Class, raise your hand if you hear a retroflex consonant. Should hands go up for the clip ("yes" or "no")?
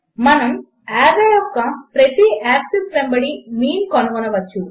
yes